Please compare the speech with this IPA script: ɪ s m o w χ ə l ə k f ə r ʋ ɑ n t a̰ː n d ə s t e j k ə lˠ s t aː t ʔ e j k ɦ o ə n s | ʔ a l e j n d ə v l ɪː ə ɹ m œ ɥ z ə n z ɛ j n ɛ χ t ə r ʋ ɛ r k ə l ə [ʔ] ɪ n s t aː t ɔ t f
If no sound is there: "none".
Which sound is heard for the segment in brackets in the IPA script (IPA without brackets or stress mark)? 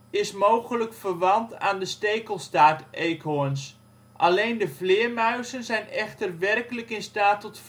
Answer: k